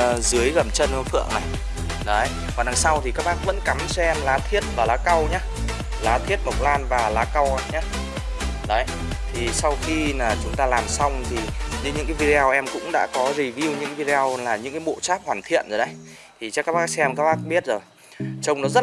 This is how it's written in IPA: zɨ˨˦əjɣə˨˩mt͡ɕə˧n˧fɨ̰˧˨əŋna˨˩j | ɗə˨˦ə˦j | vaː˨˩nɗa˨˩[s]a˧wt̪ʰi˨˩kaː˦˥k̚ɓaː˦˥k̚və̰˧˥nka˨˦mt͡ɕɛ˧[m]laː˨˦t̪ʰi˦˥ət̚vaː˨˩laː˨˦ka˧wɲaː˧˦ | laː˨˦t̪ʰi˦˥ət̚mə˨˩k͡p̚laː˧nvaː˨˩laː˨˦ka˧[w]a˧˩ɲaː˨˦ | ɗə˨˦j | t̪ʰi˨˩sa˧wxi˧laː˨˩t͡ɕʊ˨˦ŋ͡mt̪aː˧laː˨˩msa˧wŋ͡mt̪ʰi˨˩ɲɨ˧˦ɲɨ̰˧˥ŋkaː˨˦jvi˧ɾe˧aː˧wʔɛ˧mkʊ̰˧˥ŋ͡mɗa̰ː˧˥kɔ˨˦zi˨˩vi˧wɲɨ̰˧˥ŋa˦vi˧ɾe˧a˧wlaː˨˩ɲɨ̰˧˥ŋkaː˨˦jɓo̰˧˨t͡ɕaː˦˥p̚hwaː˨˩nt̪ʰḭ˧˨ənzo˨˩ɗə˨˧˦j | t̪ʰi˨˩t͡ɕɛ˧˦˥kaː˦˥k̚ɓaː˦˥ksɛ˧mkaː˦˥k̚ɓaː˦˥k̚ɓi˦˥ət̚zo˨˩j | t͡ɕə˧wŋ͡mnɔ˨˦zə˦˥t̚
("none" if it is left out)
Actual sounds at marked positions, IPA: s, m, w

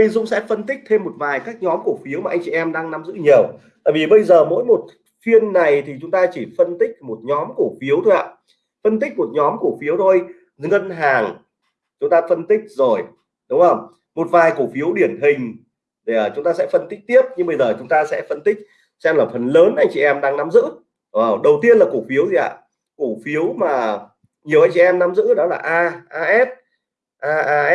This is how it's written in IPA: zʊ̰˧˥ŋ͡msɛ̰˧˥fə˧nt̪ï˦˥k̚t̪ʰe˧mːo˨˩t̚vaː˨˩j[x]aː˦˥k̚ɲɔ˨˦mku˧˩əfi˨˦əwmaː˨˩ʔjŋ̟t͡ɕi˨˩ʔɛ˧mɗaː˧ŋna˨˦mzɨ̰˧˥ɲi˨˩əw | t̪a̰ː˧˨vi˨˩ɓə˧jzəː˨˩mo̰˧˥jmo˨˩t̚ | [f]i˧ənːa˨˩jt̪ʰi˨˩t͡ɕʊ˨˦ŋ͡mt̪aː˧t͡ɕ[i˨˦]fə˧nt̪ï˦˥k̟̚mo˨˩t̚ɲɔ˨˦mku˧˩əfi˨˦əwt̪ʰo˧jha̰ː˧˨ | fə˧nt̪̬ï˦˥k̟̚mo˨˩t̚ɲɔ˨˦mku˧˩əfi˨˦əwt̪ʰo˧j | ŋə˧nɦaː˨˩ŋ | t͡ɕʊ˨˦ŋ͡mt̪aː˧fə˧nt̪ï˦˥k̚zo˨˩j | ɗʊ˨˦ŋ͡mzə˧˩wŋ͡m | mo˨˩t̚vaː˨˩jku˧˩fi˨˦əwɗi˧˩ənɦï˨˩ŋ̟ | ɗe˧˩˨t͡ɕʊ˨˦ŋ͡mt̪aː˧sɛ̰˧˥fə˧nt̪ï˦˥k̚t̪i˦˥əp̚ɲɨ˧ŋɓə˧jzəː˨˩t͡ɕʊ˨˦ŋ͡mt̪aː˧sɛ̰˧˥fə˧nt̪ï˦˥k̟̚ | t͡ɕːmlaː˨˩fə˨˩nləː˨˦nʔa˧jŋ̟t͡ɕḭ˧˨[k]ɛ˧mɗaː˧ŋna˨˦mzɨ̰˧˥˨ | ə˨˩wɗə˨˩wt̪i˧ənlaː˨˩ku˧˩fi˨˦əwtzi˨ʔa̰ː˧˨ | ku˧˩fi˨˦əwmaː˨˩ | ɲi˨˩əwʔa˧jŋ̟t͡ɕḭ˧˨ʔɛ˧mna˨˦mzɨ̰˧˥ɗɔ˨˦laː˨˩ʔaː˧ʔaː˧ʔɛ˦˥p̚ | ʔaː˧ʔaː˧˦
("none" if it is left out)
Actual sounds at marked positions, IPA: k, f, i˧˩, ʔ

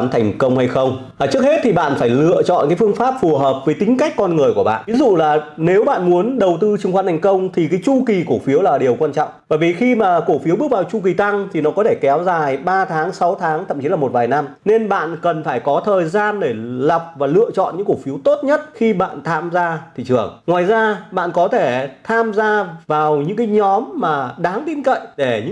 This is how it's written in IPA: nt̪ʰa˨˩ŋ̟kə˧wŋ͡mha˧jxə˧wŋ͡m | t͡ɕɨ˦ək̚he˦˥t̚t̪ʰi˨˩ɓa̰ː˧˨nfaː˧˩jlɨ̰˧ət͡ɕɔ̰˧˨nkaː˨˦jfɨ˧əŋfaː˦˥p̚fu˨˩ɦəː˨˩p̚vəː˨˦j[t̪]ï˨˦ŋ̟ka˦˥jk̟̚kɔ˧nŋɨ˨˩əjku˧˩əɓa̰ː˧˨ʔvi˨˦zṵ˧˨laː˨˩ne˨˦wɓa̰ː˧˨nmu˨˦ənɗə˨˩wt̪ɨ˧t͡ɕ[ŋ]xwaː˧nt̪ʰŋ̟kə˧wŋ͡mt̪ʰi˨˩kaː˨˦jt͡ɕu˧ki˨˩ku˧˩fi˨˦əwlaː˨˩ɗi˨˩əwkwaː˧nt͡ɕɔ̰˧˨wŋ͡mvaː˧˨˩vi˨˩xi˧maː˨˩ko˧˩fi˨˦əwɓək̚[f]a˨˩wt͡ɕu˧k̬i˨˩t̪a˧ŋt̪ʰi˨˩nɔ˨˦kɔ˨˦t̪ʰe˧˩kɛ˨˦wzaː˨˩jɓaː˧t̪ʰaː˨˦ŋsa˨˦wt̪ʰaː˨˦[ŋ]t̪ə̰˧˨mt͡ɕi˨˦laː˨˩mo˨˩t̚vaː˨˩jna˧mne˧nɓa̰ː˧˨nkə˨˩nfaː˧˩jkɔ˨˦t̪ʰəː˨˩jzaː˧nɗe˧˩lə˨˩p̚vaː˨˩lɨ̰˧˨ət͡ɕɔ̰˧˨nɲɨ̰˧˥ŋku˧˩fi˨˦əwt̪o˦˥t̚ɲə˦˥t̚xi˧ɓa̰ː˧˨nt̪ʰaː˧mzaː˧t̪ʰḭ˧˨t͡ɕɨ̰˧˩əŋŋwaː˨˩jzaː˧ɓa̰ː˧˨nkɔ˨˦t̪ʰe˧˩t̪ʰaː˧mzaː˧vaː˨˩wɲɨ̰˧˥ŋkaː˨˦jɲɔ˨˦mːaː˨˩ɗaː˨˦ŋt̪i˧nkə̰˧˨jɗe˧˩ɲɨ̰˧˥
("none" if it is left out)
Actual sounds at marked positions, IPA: t̪, ŋ, v, ŋ

